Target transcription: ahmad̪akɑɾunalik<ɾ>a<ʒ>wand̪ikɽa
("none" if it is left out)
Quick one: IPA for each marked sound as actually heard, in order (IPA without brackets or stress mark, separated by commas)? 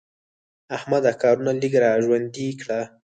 ɾ, ʒ